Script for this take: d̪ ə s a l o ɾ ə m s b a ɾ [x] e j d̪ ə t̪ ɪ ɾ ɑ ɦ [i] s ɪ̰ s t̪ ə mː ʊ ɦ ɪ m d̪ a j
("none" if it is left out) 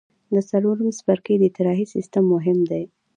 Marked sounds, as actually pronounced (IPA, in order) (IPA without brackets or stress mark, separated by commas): k, i